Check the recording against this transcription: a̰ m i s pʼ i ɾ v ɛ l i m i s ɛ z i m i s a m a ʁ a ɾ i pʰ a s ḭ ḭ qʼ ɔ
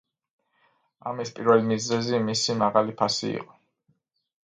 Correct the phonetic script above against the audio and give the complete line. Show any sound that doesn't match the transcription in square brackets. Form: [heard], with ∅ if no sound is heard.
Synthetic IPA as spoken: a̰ m i s pʼ i ɾ v ɛ l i m i [z] ɛ z i m i s [i] m a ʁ a [l] i pʰ a s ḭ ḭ qʼ ɔ